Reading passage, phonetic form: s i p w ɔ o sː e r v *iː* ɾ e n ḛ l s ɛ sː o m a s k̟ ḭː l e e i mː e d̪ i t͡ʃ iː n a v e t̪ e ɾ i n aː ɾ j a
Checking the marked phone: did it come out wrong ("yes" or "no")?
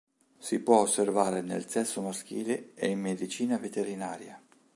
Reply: yes